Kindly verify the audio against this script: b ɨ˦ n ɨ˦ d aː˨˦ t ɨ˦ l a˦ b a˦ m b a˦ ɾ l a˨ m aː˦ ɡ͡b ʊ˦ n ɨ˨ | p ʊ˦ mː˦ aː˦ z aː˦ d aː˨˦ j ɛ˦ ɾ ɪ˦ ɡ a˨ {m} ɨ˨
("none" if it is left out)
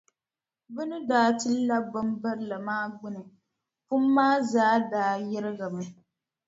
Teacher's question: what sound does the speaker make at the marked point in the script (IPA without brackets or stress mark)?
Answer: m